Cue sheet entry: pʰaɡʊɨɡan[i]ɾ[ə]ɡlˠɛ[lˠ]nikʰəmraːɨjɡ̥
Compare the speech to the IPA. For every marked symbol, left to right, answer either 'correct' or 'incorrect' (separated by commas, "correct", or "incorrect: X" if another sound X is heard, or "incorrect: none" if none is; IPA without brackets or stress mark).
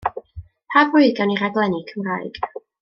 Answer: correct, incorrect: a, incorrect: none